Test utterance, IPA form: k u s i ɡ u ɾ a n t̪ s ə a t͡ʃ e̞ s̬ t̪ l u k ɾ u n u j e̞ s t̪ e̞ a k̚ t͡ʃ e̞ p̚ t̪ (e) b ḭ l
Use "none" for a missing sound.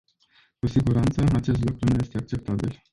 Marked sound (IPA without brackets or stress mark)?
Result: a